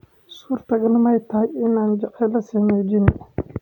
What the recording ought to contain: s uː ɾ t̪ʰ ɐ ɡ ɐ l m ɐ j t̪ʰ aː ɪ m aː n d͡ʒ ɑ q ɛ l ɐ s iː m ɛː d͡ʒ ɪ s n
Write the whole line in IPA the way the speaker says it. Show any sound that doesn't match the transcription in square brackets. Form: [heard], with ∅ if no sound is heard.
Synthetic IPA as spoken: s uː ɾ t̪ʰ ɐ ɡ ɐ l m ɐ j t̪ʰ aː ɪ [n] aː n d͡ʒ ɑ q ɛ l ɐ s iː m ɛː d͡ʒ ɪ [∅] n